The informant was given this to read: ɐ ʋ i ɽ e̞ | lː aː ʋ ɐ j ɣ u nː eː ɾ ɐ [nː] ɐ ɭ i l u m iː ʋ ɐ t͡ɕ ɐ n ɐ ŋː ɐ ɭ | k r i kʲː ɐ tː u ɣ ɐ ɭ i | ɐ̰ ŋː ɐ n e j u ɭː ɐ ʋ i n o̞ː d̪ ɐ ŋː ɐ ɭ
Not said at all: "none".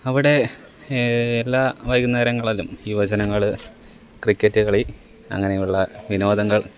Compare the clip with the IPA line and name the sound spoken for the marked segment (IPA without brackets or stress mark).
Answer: ŋː